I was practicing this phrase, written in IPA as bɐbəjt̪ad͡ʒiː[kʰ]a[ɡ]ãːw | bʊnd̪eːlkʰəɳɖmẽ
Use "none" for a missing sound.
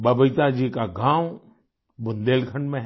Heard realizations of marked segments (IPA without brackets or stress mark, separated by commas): k, ɡ